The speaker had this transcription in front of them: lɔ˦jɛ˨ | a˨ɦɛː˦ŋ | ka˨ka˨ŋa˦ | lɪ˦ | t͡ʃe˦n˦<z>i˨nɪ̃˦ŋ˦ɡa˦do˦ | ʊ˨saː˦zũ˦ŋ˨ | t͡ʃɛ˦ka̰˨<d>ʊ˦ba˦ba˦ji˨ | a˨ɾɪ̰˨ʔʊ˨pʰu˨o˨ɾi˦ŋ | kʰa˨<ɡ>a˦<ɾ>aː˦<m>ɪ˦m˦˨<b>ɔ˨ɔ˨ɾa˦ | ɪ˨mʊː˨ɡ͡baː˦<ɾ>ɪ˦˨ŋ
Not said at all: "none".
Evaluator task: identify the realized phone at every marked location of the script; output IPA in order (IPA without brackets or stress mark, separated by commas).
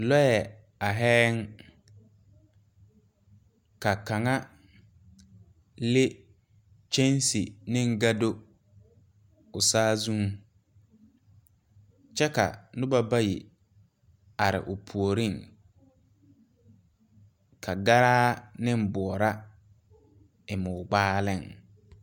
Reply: s, n, ɡ, ɾ, n, b, l